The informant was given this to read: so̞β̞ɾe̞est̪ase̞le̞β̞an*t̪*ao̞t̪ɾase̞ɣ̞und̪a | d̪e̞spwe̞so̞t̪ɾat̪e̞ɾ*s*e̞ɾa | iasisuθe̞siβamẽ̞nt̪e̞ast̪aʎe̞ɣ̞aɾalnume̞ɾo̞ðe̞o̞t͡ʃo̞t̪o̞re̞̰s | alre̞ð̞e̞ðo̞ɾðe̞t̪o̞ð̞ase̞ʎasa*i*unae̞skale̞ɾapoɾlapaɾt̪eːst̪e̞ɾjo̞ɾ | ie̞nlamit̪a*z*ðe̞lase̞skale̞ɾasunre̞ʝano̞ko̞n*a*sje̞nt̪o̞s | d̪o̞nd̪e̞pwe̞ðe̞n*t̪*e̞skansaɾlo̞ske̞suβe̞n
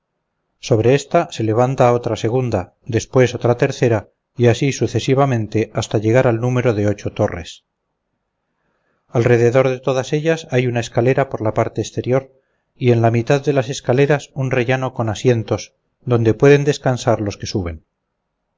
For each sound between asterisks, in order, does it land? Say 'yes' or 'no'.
yes, no, no, no, yes, no

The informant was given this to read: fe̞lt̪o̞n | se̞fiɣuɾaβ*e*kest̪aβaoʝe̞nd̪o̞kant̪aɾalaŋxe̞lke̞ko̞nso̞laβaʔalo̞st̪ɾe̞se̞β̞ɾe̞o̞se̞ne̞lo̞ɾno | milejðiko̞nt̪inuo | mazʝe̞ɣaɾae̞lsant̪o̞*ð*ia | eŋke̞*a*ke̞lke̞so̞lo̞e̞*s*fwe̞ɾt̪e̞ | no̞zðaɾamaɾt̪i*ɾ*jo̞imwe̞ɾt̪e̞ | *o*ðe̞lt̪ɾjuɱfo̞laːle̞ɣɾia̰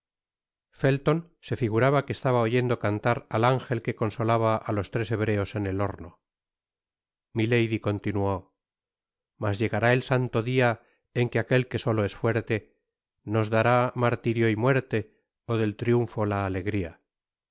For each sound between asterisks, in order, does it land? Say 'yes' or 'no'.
no, yes, yes, yes, yes, yes

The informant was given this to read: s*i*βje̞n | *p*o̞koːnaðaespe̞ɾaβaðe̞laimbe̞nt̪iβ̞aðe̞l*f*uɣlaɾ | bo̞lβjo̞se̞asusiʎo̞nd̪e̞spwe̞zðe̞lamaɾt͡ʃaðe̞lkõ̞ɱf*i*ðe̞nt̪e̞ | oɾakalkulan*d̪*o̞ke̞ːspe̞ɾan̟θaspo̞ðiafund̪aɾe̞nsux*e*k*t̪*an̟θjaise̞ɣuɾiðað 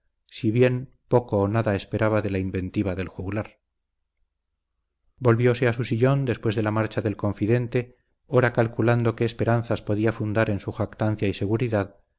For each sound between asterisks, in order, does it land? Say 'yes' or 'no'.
yes, yes, no, yes, yes, no, yes

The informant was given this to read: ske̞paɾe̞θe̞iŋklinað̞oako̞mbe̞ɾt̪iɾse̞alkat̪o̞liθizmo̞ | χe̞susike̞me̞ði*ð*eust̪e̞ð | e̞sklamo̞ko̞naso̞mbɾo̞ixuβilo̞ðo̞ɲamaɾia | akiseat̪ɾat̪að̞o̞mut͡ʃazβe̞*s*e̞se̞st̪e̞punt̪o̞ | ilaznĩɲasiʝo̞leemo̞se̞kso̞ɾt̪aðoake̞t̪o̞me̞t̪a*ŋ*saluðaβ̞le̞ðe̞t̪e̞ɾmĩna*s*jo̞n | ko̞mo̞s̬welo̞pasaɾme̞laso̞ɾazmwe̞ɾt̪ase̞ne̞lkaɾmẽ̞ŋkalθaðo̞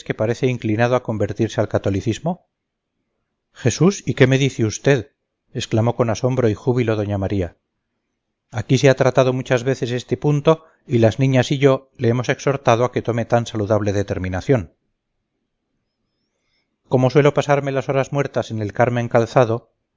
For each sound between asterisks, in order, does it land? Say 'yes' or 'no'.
no, no, no, no

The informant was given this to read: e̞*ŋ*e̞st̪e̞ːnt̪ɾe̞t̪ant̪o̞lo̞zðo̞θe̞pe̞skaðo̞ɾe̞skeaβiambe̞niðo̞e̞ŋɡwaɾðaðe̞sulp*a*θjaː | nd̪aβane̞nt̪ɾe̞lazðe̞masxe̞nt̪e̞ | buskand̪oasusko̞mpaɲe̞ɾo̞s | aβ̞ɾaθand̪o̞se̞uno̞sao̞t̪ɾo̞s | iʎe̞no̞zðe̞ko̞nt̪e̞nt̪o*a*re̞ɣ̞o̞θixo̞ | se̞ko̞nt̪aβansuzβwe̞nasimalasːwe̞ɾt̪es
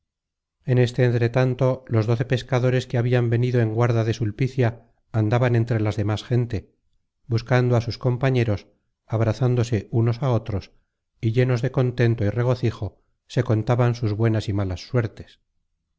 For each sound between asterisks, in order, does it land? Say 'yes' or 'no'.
no, no, no

